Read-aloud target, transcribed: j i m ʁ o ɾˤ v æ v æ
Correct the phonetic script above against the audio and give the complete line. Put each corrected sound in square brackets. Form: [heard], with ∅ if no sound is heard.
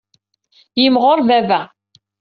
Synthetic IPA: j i m ʁ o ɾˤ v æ v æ